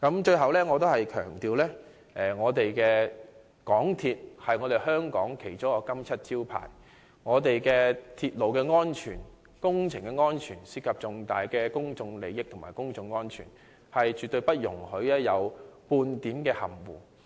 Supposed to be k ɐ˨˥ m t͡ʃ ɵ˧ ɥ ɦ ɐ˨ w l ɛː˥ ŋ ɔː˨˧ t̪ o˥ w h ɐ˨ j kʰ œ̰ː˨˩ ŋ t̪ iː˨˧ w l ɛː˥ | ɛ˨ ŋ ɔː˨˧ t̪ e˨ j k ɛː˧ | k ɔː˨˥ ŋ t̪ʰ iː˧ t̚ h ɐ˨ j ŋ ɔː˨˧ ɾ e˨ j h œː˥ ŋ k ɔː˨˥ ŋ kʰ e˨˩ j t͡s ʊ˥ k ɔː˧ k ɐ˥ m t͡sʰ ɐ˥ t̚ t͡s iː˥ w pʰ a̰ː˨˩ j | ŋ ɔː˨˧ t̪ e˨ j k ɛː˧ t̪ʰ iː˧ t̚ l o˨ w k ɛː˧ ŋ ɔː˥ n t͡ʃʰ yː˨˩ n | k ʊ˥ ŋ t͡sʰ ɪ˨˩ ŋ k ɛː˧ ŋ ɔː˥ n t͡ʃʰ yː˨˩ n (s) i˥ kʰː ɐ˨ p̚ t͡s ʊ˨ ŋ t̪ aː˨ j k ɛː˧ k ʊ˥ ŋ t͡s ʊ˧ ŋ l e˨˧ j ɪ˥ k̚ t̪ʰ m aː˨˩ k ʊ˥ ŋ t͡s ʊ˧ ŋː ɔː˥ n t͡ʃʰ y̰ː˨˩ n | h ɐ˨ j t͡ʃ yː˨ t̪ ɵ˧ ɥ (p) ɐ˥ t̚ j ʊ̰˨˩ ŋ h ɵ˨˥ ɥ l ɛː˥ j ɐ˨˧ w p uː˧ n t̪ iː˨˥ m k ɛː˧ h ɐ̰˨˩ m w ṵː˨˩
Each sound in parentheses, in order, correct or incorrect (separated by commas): correct, correct